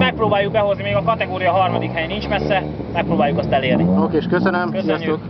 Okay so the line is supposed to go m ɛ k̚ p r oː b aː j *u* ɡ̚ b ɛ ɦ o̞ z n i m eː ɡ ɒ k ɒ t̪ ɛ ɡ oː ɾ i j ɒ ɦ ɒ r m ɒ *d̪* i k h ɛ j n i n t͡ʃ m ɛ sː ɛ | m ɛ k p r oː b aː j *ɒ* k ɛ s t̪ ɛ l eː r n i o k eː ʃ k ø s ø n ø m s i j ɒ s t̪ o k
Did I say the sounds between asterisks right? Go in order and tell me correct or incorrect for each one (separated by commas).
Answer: correct, correct, incorrect